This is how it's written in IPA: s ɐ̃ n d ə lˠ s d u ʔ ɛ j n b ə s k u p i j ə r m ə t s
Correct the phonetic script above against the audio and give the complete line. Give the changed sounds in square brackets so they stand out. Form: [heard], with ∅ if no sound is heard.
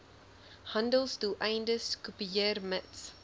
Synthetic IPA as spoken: [h] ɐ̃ n d ə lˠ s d u ʔ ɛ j n [d] ə s k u p i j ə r m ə t s